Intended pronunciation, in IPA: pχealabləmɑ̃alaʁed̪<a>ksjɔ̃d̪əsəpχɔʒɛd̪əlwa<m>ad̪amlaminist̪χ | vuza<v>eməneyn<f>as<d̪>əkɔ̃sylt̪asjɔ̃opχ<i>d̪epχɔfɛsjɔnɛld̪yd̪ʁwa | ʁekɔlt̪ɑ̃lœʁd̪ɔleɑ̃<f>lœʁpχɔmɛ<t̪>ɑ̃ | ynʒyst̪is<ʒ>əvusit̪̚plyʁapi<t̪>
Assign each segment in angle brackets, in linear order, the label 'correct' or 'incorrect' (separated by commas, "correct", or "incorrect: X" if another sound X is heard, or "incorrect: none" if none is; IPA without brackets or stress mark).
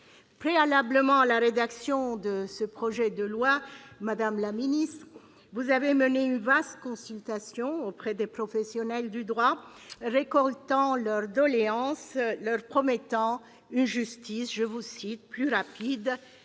correct, correct, correct, incorrect: v, incorrect: t̪, incorrect: ɛ, incorrect: s, correct, correct, incorrect: d̪